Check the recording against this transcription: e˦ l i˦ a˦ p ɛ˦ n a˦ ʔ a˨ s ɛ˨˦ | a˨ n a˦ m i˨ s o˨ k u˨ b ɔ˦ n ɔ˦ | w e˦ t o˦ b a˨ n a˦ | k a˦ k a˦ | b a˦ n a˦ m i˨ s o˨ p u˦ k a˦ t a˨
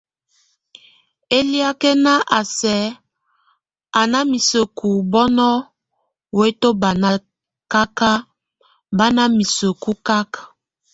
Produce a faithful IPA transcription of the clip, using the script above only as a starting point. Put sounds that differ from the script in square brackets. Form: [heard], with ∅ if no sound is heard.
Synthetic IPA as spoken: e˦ l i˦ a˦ [k] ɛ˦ n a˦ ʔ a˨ s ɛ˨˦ | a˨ n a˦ m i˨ s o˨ k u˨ b ɔ˦ n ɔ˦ | w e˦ t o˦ b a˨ n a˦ | k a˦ k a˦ | b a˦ n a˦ m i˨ s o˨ [k] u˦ k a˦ [k] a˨